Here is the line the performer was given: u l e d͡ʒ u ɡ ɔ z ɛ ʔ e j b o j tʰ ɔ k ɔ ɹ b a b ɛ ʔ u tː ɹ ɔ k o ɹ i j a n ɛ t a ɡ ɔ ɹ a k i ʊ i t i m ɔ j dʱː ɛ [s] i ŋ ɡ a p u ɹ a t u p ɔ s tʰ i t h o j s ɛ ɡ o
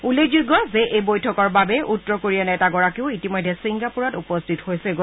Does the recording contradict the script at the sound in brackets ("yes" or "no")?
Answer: no